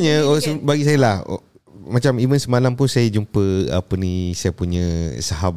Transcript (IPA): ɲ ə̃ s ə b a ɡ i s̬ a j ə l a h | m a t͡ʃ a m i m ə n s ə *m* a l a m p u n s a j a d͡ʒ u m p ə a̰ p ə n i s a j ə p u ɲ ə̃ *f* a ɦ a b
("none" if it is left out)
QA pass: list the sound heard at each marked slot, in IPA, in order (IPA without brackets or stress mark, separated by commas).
m, s